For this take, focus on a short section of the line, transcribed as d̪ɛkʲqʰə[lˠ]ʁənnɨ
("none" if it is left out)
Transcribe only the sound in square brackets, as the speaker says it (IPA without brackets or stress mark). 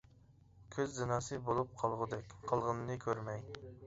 lˠ